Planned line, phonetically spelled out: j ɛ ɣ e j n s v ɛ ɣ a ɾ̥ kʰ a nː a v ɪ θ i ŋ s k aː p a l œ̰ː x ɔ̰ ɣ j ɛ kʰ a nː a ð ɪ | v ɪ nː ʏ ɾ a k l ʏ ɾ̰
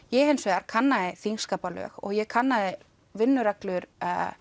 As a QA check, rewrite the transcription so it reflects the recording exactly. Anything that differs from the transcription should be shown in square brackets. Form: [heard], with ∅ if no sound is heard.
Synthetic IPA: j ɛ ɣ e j n s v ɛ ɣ a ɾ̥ kʰ a nː a [ð] ɪ θ i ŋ s k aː p a l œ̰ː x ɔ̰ ɣ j ɛ kʰ a nː a ð ɪ | v ɪ nː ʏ ɾ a k l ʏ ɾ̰